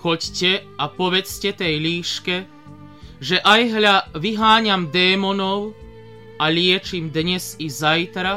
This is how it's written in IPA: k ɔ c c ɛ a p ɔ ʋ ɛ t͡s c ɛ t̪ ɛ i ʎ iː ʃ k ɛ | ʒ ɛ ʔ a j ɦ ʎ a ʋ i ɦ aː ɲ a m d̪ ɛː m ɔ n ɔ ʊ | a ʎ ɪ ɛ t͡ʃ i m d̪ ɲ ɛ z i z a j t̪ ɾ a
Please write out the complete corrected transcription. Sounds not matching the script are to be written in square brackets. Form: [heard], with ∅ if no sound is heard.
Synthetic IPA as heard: [x] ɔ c c ɛ a p ɔ ʋ ɛ t͡s c ɛ t̪ ɛ [j] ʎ iː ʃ k ɛ | ʒ ɛ ʔ a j ɦ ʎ a ʋ i ɦ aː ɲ a m d̪ ɛː m ɔ n ɔ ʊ | a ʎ ɪ ɛ t͡ʃ i m d̪ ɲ ɛ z i z a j t̪ ɾ a